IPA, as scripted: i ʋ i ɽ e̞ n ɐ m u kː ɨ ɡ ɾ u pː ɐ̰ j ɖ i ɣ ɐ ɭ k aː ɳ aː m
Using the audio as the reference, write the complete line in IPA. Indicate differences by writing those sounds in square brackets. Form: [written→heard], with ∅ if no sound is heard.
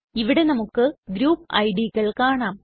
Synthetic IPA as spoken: i ʋ i ɽ e̞ n ɐ m u kː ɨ ɡ ɾ [u→uː] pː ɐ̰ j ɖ i ɣ ɐ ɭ k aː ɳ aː m